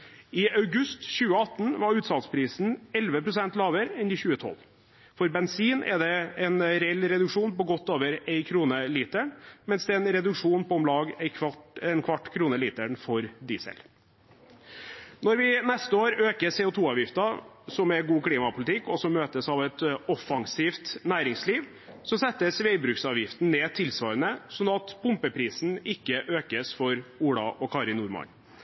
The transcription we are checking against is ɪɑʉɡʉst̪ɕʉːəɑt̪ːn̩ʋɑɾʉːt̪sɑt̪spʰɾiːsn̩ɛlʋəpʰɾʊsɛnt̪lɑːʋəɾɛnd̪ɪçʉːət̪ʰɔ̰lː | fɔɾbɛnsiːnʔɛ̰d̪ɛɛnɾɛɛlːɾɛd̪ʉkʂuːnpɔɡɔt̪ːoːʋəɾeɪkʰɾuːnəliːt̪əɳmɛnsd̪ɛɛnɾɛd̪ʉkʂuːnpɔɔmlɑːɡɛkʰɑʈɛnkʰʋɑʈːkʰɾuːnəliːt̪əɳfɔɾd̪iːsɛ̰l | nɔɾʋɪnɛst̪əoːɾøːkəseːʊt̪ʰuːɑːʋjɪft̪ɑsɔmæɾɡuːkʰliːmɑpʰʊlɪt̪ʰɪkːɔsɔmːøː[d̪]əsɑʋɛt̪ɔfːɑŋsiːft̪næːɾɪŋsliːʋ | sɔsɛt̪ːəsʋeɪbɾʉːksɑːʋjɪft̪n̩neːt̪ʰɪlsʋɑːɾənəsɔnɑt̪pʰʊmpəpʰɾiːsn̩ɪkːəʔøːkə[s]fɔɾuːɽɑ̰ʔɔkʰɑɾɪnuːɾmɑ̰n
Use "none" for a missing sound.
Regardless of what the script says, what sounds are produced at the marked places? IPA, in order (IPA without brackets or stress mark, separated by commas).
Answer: t̪, s